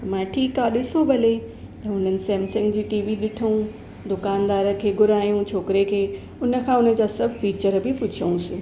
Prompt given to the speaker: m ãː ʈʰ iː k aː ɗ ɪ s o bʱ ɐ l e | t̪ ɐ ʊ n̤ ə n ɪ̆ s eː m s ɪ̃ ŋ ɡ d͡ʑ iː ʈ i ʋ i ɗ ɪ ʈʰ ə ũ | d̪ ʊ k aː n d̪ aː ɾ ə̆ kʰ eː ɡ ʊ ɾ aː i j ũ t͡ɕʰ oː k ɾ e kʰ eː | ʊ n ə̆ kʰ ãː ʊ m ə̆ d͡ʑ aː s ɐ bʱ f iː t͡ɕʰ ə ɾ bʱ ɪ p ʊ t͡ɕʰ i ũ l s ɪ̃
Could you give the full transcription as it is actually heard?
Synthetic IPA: m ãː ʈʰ iː k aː ɗ ɪ s o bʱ ɐ l e | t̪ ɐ ʊ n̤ ə n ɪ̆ s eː m s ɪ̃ ŋ ɡ d͡ʑ iː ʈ iː ʋ i ɗ ɪ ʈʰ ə ũ | d̪ ʊ k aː n d̪ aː ɾ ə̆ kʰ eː ɡ ʊ ɾ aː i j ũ t͡ɕʰ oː k ɾ e kʰ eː | ʊ n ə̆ kʰ ãː ʊ n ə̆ d͡ʑ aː s ɐ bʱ f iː t͡ɕ ə ɾ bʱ ɪ p ʊ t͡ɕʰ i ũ s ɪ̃

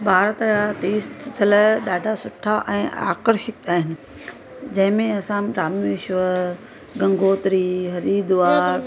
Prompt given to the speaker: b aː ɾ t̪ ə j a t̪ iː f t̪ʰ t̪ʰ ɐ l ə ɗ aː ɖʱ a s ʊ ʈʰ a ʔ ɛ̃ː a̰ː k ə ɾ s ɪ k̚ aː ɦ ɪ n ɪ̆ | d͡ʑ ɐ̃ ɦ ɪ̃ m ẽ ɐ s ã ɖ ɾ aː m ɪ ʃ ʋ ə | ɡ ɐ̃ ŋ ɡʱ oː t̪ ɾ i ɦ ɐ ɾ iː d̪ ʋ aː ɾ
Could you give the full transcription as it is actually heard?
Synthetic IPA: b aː ɾ t̪ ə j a t̪ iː s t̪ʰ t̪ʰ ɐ l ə ɗ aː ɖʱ a s ʊ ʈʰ a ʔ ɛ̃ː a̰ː k ə ɾ ʃ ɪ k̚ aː ɦ ɪ n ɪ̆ | d͡ʑ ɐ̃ ɦ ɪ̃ m ẽ ɐ s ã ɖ ɾ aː m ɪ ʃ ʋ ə | ɡ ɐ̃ ŋ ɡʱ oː t̪ ɾ i ɦ ɐ ɾ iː d̪ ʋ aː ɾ

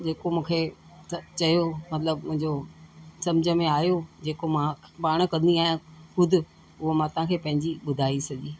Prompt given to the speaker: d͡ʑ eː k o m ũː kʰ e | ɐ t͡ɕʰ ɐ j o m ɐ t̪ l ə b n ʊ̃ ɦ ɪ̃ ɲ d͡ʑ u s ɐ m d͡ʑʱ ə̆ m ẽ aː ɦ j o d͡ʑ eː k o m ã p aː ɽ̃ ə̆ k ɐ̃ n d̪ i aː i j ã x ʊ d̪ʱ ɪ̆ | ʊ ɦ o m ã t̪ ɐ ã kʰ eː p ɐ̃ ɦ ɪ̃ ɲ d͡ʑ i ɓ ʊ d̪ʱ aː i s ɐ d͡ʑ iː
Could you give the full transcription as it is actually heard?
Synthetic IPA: d͡ʑ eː k o m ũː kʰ e | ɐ t͡ɕ ɐ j o m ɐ t̪ l ə b m ʊ̃ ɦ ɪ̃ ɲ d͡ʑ o s ɐ m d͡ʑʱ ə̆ m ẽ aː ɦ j o d͡ʑ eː k o m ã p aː ɽ̃ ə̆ k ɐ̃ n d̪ i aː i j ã x ʊ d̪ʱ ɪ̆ | ʊ ɦ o m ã t̪ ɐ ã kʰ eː p ɐ̃ ɦ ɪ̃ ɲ d͡ʑ i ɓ ʊ d̪ʱ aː i s ɐ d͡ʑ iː

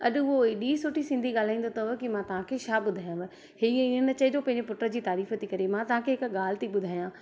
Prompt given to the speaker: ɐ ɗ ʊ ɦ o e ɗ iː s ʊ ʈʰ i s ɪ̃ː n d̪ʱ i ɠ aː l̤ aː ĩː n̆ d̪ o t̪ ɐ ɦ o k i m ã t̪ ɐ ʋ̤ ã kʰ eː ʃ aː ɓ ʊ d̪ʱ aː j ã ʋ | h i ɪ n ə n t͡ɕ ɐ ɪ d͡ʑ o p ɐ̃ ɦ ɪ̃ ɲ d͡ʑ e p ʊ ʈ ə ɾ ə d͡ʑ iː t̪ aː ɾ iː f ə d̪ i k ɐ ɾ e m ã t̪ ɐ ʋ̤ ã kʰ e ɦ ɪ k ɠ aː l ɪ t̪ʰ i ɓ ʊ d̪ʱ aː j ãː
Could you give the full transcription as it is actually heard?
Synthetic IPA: ɐ ɗ ʊ ɦ o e ɗ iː s ʊ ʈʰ i s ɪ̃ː n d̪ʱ i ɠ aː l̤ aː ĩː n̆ d̪ o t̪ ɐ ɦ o k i m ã t̪ ɐ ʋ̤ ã kʰ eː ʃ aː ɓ ʊ d̪ʱ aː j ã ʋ | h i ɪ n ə n t͡ɕ ɐ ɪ d͡ʑ o p ɐ̃ ɦ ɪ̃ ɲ d͡ʑ e p ʊ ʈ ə ɾ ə d͡ʑ iː t̪ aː ɾ iː f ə t̪ i k ɐ ɾ e m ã t̪ ɐ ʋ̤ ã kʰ e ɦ ɪ k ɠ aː l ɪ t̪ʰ i ɓ ʊ d̪ʱ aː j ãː

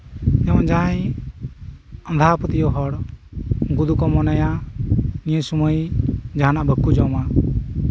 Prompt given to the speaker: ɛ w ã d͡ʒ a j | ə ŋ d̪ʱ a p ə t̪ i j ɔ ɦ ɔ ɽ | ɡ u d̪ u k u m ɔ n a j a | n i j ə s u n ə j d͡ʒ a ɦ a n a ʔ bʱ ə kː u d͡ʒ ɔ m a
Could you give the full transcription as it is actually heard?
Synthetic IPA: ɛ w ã d͡ʒ a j | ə n d̪ʱ a p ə t̪ i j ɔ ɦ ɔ ɽ | ɡ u d̪ u k ɔ m ɔ n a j a | n i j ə s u m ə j d͡ʒ a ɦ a n a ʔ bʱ ə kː u d͡ʒ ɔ m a

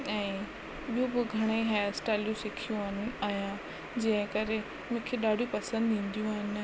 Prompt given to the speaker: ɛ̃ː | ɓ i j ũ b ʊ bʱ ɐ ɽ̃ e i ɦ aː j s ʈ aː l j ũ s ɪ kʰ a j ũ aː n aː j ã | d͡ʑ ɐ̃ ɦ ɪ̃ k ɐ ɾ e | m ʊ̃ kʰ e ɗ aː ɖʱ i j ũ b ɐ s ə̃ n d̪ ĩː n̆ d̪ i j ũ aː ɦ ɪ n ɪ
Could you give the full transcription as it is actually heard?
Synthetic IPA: ɛ̃ː | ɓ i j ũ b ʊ ɡʱ ɐ ɽ̃ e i ɦ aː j s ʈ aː l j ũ s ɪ kʰ i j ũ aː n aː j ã | d͡ʑ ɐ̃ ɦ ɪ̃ k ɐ ɾ e | m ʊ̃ kʰ e ɗ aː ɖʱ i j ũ p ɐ s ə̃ n d̪ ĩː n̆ d̪ i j ũ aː ɦ ɪ n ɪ

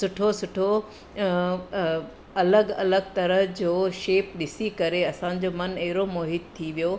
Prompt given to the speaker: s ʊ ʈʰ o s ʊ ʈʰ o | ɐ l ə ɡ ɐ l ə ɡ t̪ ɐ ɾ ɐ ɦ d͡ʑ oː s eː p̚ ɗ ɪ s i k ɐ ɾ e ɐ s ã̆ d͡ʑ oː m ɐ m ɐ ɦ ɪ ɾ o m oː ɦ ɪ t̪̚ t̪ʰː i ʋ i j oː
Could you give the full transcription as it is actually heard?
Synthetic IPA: s ʊ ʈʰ o s ʊ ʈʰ o | ɐ l ə ɡ ɐ l ə ɡ t̪ ɐ ɾ ə ɦ d͡ʑ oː ʃ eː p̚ ɗ ɪ s i k ɐ ɾ e ɐ s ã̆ d͡ʑ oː m ɐ n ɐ ɦ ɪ ɾ o m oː ɦ ɪ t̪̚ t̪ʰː i ʋ i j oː

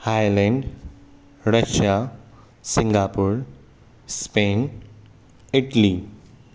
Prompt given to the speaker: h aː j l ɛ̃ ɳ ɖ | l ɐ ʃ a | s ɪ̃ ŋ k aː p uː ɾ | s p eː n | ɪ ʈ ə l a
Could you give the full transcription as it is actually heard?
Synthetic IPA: h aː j l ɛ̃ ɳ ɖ | ɾ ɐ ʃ a | s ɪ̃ ŋ ɡ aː p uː ɾ | s p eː n | ɪ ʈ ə l i

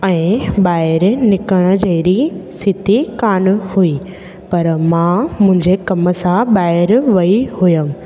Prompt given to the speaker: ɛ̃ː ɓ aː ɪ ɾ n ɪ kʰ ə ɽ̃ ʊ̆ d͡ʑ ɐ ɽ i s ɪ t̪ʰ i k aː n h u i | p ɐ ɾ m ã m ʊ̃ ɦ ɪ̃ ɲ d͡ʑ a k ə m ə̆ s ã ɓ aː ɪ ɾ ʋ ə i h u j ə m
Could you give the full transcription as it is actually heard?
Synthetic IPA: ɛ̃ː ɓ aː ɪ ɾ n ɪ k ə ɽ̃ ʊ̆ d͡ʑ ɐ ɾ i s ɪ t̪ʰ i k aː n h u i | p ɐ ɾ m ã m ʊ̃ ɦ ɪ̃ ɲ d͡ʑ e k ɐ m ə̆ s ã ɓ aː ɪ ɾ ʋ ɐ i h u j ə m

